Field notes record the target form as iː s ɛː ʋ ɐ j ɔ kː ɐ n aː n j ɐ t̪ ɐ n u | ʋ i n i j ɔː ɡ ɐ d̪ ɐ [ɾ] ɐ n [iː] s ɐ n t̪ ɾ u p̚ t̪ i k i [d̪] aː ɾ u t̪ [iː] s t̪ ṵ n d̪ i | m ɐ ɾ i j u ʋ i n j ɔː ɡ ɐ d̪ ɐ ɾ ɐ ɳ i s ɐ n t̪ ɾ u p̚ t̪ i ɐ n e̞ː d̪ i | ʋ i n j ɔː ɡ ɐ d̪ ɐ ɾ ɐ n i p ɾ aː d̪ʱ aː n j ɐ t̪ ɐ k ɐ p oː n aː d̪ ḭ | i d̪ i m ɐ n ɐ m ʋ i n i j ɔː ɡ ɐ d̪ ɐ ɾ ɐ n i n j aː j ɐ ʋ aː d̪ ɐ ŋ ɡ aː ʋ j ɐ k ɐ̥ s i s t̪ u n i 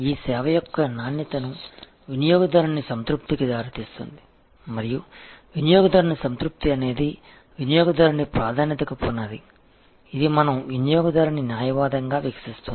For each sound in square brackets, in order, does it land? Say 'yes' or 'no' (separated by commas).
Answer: yes, no, yes, yes